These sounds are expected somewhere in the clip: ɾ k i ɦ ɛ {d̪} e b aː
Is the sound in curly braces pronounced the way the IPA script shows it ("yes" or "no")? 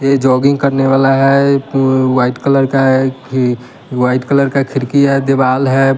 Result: yes